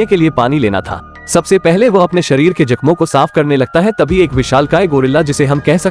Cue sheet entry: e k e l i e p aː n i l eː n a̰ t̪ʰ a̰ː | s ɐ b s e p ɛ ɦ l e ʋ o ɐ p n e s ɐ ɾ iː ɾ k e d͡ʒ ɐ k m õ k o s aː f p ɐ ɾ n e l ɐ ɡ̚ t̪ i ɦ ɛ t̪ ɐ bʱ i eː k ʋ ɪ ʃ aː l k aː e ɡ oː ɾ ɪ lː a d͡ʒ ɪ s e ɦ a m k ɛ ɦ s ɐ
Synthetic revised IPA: e k e l i e p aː n i l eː n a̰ t̪ʰ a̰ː | s ɐ b s e p ɛ ɦ l e ʋ o ɐ p n e ʃ ɐ ɾ iː ɾ k e d͡ʒ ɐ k m õ k o s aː f k ɐ ɾ n e l ɐ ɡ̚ t̪ a ɦ ɛ t̪ ɐ bʱ i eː k ʋ ɪ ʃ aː l k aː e ɡ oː ɾ ɪ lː a d͡ʒ ɪ s e ɦ ɐ m k ɛ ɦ s ɐ